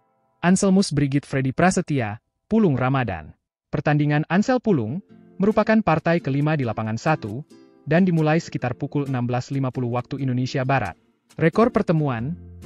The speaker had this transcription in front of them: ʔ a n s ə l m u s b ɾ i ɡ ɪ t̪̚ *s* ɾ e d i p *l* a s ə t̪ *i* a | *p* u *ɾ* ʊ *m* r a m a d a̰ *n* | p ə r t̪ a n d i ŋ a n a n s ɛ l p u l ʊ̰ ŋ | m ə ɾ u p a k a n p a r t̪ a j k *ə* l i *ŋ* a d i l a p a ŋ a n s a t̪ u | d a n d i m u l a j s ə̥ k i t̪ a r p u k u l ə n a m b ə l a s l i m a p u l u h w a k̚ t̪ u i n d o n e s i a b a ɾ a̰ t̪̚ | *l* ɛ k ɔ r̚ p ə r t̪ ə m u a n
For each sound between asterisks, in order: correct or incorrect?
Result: incorrect, incorrect, correct, correct, incorrect, incorrect, correct, correct, incorrect, incorrect

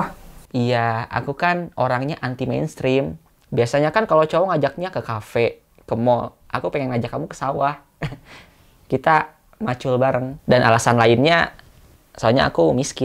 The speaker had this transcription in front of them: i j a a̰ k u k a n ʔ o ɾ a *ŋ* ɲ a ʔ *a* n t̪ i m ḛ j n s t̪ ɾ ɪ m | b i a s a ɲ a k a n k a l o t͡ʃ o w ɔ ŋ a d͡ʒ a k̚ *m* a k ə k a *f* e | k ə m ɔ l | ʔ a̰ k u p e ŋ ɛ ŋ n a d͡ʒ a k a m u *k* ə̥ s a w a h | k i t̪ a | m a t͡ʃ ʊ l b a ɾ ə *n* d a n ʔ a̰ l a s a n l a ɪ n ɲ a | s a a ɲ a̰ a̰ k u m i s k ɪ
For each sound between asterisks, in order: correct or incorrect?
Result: correct, correct, incorrect, correct, correct, incorrect

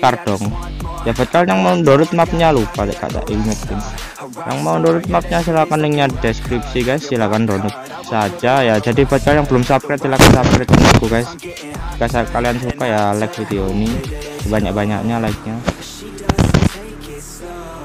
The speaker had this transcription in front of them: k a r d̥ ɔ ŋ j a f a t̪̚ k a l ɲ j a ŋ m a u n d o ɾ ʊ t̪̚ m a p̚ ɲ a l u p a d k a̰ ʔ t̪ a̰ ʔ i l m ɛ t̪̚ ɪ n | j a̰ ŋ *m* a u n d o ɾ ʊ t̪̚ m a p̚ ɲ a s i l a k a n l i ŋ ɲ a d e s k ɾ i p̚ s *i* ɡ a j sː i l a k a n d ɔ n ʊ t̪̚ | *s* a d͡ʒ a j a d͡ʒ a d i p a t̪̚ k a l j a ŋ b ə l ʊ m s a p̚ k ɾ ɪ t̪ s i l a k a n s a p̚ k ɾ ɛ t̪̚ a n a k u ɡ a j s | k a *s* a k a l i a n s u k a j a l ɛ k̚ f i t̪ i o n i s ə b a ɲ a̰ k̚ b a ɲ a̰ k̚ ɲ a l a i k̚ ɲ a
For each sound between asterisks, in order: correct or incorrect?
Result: correct, correct, correct, correct

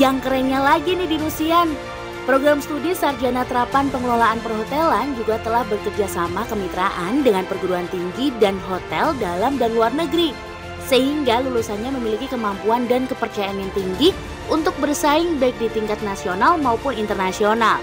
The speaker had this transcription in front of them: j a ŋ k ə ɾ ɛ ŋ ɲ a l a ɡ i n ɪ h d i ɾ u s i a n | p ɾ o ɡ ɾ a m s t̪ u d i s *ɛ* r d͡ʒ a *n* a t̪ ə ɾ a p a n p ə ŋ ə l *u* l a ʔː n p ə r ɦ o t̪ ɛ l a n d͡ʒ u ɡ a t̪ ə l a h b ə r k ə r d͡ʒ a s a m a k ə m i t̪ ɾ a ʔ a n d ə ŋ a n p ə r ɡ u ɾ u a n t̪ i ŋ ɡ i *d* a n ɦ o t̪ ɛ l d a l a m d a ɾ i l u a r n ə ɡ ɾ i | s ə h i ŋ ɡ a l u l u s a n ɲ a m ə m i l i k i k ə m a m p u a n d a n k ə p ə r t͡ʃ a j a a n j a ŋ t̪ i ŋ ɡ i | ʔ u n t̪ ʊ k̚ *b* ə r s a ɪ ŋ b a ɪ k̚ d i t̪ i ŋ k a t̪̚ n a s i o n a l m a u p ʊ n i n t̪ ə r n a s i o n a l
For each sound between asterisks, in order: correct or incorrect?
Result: incorrect, correct, incorrect, correct, correct

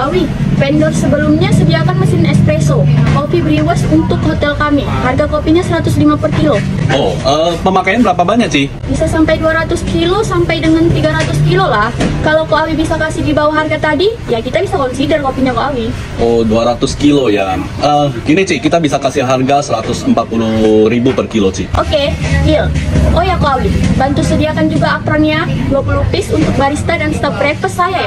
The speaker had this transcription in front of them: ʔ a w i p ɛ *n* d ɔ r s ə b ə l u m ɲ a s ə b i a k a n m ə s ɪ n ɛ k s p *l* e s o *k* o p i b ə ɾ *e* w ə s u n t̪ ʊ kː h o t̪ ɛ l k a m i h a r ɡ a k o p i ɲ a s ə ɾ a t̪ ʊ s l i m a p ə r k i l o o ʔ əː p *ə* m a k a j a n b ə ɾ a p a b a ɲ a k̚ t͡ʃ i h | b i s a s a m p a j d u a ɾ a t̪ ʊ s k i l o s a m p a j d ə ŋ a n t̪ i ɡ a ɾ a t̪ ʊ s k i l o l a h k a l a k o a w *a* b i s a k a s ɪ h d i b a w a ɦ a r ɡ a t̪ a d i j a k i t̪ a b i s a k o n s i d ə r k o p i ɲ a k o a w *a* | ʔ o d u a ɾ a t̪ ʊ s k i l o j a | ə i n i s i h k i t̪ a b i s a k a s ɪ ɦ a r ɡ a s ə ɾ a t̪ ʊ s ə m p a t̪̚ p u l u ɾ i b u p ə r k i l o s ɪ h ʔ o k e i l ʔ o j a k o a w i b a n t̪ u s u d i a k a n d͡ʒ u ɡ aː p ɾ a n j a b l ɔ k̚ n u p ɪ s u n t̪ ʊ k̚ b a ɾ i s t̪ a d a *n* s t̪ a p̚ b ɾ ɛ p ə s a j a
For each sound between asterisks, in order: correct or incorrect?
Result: correct, incorrect, correct, incorrect, correct, incorrect, incorrect, correct

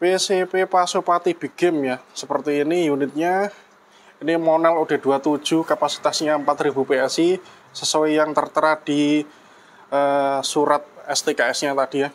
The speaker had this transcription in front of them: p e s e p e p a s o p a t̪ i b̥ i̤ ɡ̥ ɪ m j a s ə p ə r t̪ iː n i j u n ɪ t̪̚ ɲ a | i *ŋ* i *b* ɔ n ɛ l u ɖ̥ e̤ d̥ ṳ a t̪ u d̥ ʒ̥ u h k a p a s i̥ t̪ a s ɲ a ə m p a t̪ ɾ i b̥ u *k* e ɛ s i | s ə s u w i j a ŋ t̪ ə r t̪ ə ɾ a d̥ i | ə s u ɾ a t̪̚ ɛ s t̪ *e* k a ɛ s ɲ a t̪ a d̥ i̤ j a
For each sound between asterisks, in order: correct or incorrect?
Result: incorrect, incorrect, incorrect, correct

